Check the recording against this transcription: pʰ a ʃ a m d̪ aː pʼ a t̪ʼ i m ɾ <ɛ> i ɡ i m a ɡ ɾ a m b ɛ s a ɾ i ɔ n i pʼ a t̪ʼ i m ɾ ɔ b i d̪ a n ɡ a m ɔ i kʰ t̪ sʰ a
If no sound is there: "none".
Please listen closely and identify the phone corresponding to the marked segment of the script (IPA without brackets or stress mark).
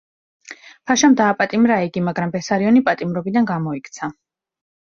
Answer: a